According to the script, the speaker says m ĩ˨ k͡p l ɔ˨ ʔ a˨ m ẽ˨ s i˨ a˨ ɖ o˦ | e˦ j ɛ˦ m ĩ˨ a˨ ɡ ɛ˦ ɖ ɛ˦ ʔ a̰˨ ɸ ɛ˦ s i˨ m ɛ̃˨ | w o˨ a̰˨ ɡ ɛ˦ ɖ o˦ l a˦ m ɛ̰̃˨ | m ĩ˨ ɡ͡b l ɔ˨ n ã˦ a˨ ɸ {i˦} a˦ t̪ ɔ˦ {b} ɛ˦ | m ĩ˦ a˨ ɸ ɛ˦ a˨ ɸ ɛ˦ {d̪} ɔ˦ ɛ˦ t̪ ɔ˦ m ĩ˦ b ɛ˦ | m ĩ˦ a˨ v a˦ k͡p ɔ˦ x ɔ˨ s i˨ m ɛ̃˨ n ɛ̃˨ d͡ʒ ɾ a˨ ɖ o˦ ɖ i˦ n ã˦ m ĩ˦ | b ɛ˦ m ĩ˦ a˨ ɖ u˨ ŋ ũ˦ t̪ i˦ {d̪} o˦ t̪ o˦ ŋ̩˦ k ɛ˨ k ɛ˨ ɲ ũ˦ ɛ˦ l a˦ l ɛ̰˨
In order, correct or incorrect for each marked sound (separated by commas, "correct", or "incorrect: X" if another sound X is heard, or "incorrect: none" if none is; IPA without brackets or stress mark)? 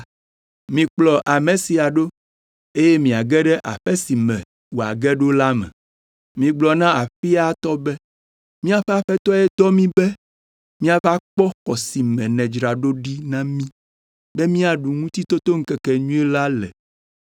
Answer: correct, correct, incorrect: t̪, incorrect: t̪